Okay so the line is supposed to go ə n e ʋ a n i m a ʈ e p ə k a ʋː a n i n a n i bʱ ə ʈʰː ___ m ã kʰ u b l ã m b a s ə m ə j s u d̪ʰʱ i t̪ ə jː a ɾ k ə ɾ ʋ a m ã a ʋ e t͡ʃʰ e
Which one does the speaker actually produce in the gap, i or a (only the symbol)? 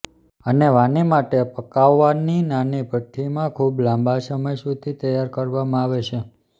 i